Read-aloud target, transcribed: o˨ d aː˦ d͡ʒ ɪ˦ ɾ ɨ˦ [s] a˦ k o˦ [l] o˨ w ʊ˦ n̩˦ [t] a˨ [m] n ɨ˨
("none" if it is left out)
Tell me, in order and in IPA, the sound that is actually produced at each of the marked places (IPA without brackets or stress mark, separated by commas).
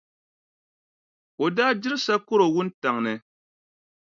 s, ɾ, t, ŋ